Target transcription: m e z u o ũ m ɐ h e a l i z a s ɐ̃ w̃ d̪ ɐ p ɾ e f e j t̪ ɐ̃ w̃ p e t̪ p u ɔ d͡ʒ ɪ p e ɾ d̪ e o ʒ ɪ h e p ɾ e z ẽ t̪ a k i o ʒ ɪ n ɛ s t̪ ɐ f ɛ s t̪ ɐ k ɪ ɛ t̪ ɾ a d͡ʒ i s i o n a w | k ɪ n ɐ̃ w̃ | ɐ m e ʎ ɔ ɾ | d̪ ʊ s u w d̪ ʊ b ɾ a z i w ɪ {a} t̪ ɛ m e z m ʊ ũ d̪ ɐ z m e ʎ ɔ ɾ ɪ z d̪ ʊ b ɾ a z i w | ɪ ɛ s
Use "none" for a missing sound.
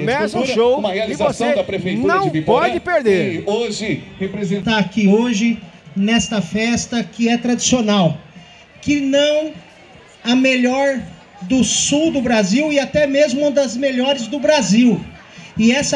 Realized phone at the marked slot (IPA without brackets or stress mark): a